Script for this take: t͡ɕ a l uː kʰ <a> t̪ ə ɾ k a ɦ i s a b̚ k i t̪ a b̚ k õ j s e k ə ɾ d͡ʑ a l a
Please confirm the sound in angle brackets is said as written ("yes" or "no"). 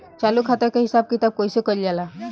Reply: yes